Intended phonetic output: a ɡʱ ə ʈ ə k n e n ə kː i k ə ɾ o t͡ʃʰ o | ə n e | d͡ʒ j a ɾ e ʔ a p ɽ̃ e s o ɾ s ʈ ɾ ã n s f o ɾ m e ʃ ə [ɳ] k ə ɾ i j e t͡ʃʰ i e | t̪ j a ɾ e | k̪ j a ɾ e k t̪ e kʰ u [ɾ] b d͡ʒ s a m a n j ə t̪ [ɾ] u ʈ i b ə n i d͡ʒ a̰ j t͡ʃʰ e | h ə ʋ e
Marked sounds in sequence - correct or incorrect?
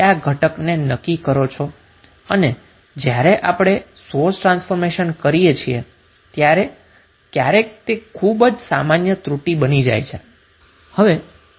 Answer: incorrect: n, incorrect: none, correct

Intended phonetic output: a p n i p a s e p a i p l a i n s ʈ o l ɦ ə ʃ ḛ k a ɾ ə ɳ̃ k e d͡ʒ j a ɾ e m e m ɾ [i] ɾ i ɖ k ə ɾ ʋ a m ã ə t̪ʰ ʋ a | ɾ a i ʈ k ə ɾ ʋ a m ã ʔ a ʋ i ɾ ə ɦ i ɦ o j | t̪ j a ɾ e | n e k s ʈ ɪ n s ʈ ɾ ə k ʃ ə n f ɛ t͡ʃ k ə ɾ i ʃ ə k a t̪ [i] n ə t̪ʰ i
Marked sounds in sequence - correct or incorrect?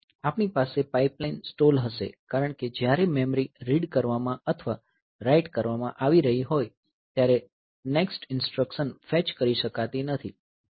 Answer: correct, correct

